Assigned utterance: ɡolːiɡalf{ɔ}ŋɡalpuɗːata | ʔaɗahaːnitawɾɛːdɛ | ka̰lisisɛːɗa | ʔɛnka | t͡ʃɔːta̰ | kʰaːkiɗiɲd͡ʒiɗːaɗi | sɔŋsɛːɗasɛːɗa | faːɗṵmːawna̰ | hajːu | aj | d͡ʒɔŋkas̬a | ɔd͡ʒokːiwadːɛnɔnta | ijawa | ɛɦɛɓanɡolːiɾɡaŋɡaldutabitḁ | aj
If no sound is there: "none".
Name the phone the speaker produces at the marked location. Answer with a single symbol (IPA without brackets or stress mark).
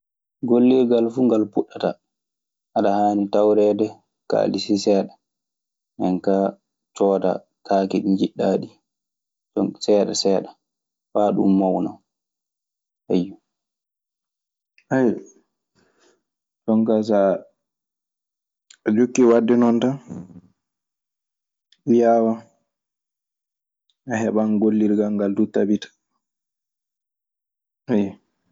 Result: u